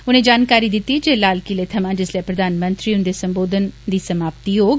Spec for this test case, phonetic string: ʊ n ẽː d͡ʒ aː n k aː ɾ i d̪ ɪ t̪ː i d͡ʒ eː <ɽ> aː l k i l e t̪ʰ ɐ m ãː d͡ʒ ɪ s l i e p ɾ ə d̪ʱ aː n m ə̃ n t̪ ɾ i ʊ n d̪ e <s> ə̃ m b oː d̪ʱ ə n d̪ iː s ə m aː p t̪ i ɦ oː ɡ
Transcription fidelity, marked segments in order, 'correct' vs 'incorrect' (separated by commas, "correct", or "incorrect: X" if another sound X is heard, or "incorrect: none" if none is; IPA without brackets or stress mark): incorrect: l, correct